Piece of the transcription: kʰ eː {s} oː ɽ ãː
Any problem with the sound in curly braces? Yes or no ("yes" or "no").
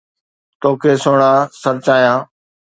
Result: no